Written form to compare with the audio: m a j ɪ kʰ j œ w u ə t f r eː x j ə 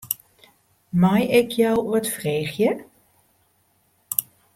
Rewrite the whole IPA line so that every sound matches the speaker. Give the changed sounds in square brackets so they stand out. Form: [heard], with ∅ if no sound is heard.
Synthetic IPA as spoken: m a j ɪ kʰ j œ w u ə t f r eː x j ə